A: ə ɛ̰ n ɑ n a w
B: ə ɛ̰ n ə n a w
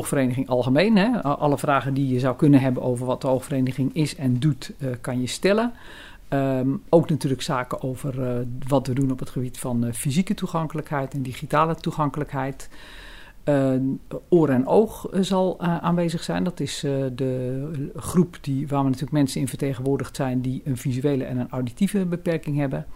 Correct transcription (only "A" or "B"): B